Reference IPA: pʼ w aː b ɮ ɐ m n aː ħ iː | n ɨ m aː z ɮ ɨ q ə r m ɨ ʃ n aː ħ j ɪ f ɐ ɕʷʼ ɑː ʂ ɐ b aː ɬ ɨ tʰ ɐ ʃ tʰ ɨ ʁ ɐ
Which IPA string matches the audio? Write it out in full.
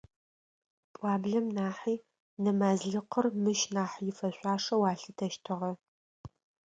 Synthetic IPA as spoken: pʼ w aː b ɮ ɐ m n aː ħ iː | n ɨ m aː z ɮ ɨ q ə r m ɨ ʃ n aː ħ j ɪ f ɐ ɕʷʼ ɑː ʂ ɐ w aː ɬ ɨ tʰ ɐ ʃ tʰ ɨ ʁ ɐ